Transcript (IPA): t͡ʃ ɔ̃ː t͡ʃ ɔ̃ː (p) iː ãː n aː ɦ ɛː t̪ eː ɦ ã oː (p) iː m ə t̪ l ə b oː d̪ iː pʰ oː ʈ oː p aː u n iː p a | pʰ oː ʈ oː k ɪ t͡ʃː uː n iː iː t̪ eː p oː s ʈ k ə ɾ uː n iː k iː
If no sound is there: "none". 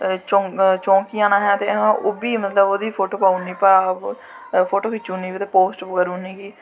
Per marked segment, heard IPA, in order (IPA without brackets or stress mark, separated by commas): k, b